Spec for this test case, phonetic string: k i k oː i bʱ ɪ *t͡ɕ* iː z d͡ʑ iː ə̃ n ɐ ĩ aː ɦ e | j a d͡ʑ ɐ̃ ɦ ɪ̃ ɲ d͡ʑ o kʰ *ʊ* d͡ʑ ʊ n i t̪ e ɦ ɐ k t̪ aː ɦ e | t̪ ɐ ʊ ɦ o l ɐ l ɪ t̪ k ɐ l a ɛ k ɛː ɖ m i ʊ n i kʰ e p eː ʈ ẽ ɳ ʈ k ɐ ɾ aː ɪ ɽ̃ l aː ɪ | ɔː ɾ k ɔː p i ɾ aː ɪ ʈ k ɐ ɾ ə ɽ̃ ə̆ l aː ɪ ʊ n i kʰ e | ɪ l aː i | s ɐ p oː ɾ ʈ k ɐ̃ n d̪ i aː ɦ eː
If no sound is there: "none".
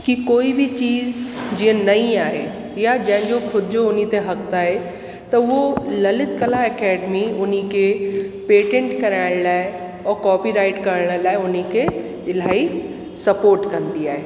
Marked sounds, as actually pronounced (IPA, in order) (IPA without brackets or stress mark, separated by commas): t͡ɕ, ʊ